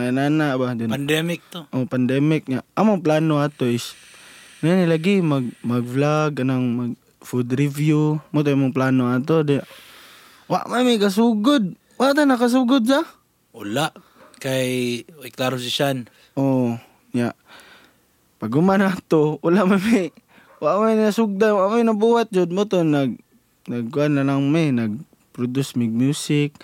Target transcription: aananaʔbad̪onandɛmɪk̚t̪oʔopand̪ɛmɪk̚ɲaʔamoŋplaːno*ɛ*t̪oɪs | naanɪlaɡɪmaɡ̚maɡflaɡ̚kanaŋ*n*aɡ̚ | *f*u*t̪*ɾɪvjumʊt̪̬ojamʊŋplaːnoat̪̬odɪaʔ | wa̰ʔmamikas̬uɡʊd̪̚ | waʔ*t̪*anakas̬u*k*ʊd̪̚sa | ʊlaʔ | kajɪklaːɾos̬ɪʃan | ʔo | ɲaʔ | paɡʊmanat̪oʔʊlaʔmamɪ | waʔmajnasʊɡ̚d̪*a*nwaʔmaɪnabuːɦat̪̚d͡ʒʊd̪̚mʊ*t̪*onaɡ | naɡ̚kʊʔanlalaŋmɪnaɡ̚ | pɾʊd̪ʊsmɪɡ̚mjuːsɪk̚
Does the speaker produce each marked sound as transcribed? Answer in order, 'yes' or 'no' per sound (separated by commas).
no, no, yes, no, yes, no, yes, yes